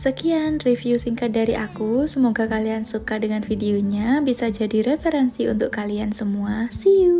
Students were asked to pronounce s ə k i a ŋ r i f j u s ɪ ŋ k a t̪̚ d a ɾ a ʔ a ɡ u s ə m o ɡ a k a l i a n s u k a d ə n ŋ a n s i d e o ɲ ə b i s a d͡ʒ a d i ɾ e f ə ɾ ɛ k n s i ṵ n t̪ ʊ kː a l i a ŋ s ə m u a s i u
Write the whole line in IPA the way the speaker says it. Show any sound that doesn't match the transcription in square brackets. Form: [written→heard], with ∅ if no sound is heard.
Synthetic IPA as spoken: s ə k i a [ŋ→n] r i f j u s [ɪ→i] ŋ k a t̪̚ d a ɾ [a→i] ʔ a [ɡ→k] u s ə m o ɡ a k a l i a n s u k a d ə [n→∅] ŋ a n [s→f] i d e o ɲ [ə→a] b i s a d͡ʒ a d i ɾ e f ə ɾ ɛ [k→∅] n s i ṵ n t̪ ʊ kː a l i a [ŋ→n] s ə m u a s i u

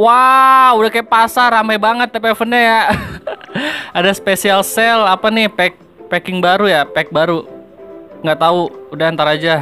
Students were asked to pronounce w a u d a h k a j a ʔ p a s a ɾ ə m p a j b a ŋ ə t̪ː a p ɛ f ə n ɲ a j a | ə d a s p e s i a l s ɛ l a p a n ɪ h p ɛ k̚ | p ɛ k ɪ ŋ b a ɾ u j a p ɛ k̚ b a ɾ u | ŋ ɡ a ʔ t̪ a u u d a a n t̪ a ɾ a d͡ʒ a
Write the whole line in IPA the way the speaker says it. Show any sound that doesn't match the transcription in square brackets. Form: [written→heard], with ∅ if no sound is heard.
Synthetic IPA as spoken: w a u d a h k a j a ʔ p a s a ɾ [ə→a] m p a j b a ŋ ə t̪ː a p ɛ f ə n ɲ a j a | [ə→a] d a s p e s i a l s ɛ l a p a n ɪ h p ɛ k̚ | p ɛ k ɪ ŋ b a ɾ u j a p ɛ k̚ b a ɾ u | ŋ ɡ a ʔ t̪ a u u d a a n t̪ a ɾ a d͡ʒ a

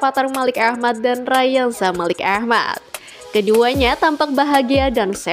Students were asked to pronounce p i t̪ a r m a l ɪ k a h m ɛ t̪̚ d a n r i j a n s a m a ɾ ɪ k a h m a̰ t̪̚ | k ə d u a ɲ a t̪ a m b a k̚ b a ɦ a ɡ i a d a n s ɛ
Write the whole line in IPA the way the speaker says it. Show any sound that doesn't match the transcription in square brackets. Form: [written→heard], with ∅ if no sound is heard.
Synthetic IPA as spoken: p [i→a] t̪ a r m a l ɪ k a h m [ɛ→a] t̪̚ d a n r [i→a] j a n s a m a [ɾ→l] ɪ k a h m a̰ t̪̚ | k ə d u a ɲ a t̪ a m [b→p] a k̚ b a ɦ a ɡ i a d a n s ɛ

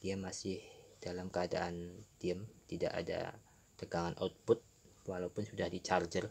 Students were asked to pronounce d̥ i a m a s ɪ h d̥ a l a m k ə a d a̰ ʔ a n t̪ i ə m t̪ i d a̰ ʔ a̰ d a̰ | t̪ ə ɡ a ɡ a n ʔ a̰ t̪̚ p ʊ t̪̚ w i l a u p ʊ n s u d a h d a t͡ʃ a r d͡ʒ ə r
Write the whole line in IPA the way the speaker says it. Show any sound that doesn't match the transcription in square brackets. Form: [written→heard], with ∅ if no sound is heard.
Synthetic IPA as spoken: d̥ i a m a s ɪ h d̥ a l a m k ə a d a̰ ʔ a n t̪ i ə m t̪ i d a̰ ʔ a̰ d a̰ | t̪ ə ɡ a [ɡ→ŋ] a n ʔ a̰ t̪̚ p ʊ t̪̚ w [i→a] l a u p ʊ n s u d a h d [a→i] t͡ʃ a r d͡ʒ ə r

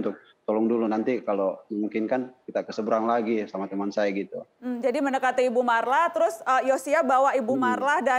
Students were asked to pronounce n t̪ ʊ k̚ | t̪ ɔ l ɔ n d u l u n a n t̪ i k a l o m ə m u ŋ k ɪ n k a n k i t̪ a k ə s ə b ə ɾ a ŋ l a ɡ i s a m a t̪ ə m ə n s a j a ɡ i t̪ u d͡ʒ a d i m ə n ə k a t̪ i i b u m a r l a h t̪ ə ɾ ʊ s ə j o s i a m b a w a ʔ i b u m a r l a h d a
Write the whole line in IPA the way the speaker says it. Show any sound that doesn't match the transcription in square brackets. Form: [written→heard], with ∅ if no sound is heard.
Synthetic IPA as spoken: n t̪ ʊ k̚ | t̪ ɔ l ɔ [n→ŋ] d u l u n a n t̪ i k a l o m ə m u ŋ k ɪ n k a n k i t̪ a k ə s ə b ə ɾ a ŋ l a ɡ i s a m a t̪ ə m [ə→a] n s a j a ɡ i t̪ u d͡ʒ a d i m ə n ə k a t̪ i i b u m a r l a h t̪ ə ɾ ʊ s ə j o s i a [m→∅] b a w a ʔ i b u m a r l a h d a

